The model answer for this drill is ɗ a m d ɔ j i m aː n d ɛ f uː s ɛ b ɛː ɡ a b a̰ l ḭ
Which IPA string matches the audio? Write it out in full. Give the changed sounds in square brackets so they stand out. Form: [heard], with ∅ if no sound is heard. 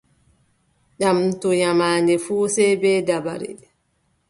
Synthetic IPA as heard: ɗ a m [t] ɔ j [a] m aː n d ɛ f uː s ɛ b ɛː [d] a b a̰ [ɾ] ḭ